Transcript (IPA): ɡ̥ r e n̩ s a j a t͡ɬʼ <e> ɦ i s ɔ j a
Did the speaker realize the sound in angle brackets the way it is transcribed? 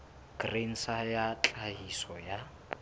no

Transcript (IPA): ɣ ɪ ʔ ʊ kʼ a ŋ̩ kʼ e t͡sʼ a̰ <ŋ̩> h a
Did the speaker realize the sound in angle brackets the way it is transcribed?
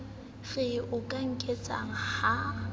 yes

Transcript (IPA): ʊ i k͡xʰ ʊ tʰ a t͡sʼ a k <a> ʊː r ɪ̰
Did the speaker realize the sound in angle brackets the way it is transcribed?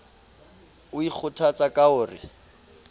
yes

